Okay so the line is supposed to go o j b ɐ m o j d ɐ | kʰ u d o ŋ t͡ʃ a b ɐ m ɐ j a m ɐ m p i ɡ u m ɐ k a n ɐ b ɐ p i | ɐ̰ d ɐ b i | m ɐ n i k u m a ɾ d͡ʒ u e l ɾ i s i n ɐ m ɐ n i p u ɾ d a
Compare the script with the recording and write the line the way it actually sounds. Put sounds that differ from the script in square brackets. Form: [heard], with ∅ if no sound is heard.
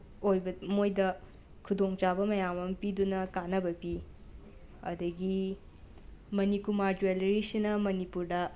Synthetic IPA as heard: o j b ɐ m o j d ɐ | kʰ u d o ŋ t͡ʃ a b ɐ m ɐ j a m ɐ m p i [d] u [n] ɐ k a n ɐ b ɐ p i | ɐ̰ d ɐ [ɡ] i | m ɐ n i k u m a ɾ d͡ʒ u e l ɾ i s i n ɐ m ɐ n i p u ɾ d [ɐ]